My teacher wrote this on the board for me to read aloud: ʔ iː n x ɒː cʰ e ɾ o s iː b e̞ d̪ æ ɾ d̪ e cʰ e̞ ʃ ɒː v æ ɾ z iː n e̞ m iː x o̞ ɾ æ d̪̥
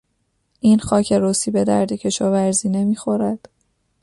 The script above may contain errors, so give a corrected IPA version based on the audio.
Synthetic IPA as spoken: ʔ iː n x ɒː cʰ e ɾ o s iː b e̞ d̪ æ ɾ d̪ e cʰ e̞ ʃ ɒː v æ ɾ z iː n e̞ m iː x o̞ ɾ æ d̪̥